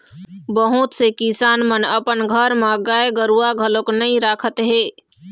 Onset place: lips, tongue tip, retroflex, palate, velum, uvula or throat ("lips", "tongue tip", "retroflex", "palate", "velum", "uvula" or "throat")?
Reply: lips